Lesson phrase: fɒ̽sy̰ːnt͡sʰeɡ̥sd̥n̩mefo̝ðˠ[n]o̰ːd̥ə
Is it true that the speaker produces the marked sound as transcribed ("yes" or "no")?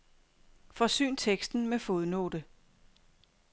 yes